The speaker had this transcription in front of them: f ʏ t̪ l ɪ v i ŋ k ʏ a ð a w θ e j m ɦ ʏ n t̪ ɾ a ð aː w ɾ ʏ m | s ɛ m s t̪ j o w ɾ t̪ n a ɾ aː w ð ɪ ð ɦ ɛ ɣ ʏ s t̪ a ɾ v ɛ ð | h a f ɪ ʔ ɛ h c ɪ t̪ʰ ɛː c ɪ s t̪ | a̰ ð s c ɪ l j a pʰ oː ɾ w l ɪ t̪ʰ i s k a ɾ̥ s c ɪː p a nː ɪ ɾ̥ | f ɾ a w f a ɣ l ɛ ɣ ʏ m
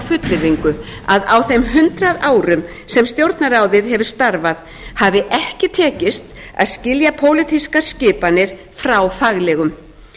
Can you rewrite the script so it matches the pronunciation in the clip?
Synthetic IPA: f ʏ t̪ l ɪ v i ŋ k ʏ a ð a w θ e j m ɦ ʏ n t̪ ɾ a ð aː w ɾ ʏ m | s ɛ m s t̪ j o w ɾ t̪ n a ɾ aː w ð ɪ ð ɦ ɛ v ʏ s t̪ a ɾ v a ð | h a v ɪ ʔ ɛ h c ɪ t̪ʰ ɛː c ɪ s t̪ | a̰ ð s c ɪ l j a pʰ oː w l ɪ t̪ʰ i s k a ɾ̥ s c ɪː p a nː ɪ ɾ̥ | f ɾ a w f a ɣ l ɛ ɣ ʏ m